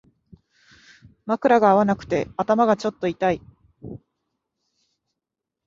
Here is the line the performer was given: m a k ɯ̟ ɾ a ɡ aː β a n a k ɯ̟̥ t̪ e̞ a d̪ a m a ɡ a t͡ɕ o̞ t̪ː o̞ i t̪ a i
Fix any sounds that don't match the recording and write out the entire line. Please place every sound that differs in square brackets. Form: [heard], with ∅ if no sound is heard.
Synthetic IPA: m a k ɯ̟ ɾ a ɡ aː β a n a k ɯ̟̥ t̪ e̞ a [t̪] a m a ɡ a t͡ɕ o̞ t̪ː o̞ i t̪ a i